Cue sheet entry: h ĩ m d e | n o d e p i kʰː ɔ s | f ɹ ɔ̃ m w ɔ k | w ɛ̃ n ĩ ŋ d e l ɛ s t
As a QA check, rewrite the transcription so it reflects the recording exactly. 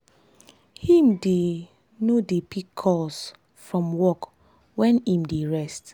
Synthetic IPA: h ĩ m d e | n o d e p i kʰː ɔ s | f ɹ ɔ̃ m w ɔ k | w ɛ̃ n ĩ m d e ɹ ɛ s t